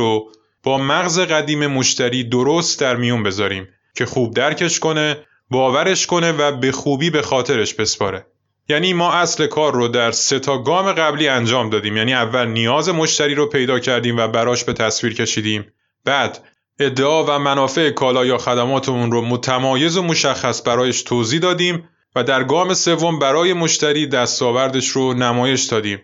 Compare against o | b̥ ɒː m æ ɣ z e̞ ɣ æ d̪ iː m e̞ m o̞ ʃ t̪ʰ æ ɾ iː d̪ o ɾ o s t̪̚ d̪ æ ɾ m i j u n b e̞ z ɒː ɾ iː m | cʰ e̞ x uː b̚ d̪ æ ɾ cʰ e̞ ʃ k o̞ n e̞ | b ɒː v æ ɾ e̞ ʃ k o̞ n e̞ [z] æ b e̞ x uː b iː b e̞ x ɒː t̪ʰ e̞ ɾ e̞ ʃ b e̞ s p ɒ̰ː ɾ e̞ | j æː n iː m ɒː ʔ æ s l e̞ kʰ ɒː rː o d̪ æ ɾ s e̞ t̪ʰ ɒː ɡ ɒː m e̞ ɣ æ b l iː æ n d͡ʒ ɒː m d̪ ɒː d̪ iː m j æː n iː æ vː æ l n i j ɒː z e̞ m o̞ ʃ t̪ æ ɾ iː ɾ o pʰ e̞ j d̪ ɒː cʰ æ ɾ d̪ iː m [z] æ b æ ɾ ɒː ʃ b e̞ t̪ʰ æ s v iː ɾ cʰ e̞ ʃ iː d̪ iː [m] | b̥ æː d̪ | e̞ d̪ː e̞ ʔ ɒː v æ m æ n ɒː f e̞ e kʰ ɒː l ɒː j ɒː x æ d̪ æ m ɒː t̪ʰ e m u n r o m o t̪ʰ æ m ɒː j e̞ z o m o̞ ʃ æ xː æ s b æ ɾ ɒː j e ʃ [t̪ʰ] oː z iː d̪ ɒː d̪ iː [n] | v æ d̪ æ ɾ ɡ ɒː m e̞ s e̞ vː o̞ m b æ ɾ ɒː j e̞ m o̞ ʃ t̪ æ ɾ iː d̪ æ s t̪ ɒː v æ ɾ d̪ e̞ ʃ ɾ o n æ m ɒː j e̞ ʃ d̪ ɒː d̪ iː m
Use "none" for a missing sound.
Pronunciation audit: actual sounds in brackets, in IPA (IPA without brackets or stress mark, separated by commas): v, v, m, t̪ʰ, m